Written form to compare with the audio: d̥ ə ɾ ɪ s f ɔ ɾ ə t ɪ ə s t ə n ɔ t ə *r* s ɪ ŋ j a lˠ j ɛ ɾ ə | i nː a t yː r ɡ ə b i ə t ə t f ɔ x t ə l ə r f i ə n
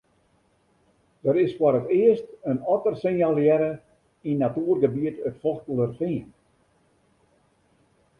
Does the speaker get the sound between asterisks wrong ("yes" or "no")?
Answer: no